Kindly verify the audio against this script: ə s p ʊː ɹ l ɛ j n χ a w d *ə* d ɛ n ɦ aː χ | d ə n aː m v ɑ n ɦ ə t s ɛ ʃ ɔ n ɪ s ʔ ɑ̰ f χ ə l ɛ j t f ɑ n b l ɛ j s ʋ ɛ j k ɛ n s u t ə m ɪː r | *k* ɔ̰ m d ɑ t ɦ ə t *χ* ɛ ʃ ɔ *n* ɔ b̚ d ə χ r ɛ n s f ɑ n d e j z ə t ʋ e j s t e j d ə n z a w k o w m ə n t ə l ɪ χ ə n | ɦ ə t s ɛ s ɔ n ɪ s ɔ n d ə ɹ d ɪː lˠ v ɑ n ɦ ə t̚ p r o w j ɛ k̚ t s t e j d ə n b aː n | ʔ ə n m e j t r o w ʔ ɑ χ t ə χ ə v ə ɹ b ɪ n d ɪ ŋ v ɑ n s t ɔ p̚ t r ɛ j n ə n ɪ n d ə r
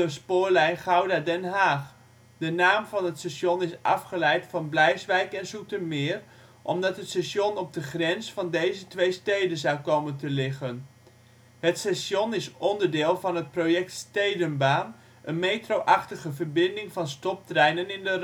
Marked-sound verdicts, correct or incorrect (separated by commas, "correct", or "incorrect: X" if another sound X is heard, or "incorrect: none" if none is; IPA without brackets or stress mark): incorrect: a, incorrect: ʔ, incorrect: s, correct